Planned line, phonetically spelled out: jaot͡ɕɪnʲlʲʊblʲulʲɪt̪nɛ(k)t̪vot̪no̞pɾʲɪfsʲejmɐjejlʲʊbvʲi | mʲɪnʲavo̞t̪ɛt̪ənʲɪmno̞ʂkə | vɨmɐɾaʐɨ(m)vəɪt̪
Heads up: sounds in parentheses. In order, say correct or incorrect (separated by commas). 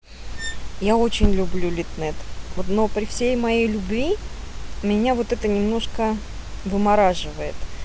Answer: incorrect, incorrect